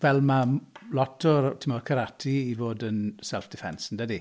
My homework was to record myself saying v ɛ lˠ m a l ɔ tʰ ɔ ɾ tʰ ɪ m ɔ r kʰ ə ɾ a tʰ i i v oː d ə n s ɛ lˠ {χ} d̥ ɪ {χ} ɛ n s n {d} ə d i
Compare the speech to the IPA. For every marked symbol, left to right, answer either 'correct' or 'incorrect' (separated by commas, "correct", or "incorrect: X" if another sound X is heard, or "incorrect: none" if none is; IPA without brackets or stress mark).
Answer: incorrect: f, incorrect: f, correct